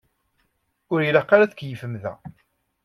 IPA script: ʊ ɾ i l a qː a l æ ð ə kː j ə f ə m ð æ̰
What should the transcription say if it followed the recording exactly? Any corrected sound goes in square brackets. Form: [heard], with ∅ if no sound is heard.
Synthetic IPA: ʊ ɾ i l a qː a [ɾ] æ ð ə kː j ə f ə m ð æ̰